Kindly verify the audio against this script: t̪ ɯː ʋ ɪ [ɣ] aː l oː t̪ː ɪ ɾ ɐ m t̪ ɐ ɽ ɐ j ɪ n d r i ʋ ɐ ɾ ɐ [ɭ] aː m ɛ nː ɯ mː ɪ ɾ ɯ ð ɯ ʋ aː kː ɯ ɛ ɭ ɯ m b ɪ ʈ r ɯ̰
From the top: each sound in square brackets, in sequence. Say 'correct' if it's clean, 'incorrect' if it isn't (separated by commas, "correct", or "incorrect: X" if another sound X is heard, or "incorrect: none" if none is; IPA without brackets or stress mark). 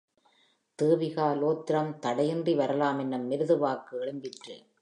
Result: correct, incorrect: l